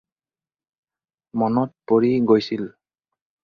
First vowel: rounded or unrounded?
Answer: rounded